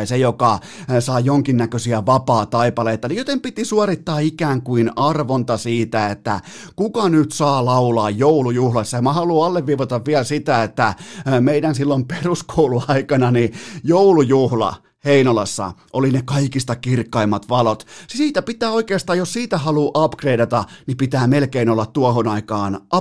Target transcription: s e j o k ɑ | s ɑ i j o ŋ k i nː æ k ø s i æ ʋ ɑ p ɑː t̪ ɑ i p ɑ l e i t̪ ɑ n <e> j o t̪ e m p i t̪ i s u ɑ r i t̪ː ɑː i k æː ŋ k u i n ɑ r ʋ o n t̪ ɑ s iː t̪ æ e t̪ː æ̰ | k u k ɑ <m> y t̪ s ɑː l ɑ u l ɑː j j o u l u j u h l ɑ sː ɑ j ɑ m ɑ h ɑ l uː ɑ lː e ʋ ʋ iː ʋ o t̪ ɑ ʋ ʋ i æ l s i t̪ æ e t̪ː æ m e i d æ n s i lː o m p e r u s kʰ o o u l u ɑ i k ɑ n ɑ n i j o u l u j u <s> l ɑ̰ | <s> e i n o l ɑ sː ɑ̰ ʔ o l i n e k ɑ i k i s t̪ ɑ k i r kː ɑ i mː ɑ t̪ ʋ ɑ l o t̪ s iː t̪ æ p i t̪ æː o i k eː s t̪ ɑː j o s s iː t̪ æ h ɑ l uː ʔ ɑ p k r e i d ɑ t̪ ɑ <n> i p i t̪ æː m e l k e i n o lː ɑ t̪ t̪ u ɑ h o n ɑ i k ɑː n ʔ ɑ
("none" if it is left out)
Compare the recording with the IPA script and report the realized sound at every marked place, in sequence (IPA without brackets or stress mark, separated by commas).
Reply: i, n, h, h, n